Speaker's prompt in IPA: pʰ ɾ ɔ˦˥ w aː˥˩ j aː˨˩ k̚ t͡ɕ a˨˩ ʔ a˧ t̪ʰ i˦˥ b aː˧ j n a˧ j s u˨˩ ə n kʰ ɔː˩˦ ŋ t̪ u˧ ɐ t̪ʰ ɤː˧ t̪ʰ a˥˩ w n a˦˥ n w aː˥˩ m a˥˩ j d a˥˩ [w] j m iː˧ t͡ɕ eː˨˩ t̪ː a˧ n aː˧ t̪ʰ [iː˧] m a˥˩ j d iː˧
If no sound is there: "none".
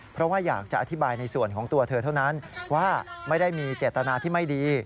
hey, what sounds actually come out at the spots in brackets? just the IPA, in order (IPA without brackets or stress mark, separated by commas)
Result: none, iː˥˩